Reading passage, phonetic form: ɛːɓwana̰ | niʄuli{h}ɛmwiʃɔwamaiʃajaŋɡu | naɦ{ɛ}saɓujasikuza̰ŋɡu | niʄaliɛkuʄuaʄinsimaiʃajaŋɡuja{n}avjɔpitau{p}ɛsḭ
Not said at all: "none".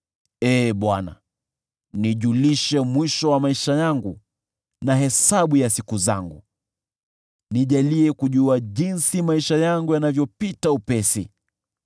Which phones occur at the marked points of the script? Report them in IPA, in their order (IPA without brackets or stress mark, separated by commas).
ʃ, ɛ, n, p